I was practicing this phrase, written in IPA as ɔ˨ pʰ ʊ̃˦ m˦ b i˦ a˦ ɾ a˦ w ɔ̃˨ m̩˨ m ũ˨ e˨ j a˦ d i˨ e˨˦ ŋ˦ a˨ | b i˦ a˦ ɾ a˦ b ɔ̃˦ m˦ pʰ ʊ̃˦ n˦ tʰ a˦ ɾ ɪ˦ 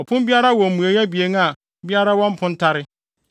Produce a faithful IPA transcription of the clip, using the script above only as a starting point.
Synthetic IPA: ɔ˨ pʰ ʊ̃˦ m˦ b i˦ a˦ ɾ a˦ w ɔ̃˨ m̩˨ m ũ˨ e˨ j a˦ b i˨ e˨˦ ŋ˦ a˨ | b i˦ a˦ ɾ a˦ w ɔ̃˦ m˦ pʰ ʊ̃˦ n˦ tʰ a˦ ɾ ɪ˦